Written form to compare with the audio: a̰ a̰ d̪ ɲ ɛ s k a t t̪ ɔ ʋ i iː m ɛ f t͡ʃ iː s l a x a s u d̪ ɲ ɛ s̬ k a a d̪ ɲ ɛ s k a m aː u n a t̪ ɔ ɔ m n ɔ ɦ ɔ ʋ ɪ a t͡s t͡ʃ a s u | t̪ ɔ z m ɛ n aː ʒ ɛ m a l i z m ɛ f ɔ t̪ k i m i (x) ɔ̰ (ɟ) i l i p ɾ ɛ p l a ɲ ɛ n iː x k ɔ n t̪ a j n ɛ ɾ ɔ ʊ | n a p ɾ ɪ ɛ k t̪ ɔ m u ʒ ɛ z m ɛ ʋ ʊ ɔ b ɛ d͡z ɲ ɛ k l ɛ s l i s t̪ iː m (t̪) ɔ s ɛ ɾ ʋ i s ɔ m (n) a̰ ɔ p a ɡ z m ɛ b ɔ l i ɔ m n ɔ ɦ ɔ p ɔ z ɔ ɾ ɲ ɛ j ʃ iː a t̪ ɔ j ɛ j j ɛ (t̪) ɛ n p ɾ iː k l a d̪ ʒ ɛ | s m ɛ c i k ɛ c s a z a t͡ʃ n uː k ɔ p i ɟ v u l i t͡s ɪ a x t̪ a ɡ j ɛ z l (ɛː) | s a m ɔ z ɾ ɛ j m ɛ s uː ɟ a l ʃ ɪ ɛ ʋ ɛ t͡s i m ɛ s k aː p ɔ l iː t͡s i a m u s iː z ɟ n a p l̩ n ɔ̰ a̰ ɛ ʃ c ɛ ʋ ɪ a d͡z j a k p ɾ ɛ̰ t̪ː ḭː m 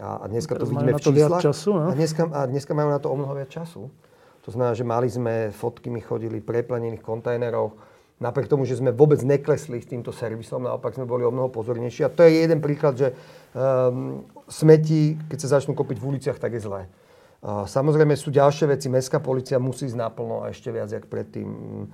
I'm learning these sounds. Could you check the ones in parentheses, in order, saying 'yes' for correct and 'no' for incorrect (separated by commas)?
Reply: yes, yes, yes, yes, no, yes